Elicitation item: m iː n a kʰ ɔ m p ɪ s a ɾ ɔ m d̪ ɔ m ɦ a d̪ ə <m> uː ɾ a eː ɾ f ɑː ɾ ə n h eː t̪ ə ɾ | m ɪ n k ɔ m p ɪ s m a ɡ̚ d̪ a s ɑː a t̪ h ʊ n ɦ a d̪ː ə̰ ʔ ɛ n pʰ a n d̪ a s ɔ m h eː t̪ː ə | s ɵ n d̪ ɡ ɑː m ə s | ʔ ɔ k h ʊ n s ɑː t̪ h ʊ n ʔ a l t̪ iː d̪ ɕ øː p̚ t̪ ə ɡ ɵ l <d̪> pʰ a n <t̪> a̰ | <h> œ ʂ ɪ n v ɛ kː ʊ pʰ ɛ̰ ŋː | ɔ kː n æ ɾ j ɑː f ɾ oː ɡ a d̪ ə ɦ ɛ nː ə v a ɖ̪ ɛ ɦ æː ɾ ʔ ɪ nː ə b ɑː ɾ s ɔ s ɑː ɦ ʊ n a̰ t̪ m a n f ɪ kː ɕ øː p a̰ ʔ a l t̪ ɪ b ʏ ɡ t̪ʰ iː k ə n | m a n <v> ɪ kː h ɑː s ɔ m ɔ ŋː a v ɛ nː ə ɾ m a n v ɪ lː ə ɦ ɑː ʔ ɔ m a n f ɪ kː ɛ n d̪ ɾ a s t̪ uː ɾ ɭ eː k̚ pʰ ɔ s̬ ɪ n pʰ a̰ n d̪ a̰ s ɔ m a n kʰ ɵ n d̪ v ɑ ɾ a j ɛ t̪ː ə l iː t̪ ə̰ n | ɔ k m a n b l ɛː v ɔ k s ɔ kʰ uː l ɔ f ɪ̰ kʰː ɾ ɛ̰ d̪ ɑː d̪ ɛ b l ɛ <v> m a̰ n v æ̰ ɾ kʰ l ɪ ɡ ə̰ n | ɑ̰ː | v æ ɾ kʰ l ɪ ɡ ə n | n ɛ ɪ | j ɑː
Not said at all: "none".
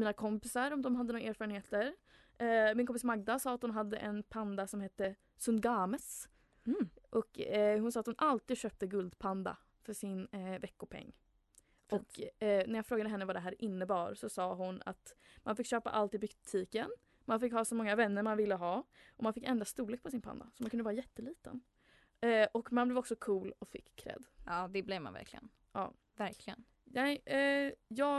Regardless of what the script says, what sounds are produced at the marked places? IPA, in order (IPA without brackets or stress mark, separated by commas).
n, d̪, d̪, f, f, v